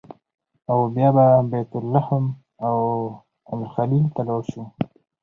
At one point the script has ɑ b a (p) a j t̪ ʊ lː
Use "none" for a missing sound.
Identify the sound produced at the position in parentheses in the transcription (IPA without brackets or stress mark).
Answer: b